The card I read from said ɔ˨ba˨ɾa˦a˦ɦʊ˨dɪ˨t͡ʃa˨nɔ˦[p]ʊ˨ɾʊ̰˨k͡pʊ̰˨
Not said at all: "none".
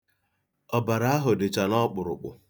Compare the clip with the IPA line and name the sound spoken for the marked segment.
k͡p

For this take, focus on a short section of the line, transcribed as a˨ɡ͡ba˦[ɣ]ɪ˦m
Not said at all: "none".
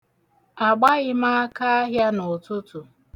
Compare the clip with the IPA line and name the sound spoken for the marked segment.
ɣ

